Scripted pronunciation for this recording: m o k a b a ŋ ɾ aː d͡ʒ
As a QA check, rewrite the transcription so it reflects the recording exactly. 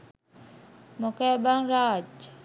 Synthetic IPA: m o k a b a ŋ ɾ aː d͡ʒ